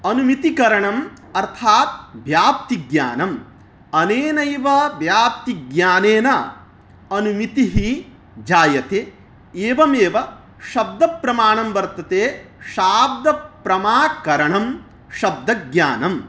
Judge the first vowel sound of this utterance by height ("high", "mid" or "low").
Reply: low